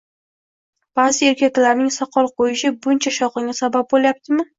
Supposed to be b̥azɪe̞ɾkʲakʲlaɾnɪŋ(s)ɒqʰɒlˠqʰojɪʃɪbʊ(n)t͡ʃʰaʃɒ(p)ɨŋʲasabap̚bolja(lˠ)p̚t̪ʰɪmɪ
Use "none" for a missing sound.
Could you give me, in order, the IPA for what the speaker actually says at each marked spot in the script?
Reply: s, n, q, none

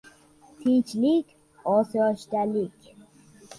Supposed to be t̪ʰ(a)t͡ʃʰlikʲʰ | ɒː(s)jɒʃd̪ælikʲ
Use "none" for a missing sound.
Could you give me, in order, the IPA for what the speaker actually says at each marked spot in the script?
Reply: i, s

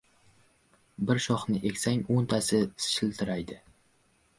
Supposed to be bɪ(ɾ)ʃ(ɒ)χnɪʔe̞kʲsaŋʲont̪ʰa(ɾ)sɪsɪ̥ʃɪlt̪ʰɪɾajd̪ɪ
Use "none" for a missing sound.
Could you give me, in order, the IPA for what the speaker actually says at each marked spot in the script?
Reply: ɾ, ɒ, none

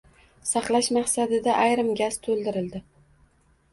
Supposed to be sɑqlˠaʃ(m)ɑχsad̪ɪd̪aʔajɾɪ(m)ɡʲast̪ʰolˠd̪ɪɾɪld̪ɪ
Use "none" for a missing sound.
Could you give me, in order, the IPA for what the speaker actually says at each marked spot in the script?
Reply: m, m

